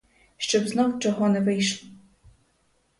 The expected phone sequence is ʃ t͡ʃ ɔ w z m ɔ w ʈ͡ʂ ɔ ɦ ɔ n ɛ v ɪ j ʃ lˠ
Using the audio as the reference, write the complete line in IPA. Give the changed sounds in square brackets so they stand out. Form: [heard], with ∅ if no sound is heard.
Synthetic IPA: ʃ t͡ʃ ɔ [b] z [n] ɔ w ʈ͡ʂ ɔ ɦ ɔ n ɛ v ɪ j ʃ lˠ